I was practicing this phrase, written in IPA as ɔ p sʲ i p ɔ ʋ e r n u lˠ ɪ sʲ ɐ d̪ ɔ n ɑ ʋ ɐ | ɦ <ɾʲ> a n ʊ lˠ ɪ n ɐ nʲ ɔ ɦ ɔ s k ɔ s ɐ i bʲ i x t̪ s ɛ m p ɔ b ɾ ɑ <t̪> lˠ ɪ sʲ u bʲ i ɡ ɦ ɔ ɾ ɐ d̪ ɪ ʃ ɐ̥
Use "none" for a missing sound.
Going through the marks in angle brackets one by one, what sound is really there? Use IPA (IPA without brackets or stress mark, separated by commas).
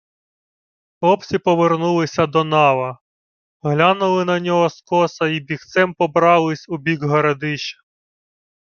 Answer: lʲ, none